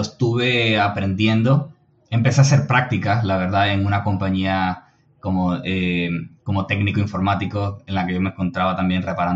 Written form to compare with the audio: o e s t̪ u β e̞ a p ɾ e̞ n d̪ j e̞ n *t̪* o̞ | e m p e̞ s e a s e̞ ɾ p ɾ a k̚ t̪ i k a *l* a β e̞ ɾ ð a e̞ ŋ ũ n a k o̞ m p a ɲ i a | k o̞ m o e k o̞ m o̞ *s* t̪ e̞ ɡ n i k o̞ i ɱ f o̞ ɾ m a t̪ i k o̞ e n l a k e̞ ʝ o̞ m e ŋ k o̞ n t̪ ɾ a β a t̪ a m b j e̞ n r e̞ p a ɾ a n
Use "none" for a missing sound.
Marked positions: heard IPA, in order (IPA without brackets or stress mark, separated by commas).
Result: d̪, l, none